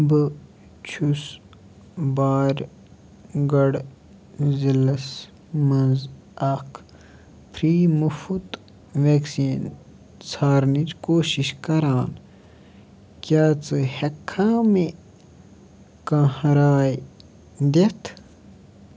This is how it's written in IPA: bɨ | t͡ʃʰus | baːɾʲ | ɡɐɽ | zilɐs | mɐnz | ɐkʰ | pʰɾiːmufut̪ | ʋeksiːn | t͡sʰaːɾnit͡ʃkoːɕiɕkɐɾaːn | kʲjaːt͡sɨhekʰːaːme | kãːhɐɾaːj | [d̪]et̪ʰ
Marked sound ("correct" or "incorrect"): correct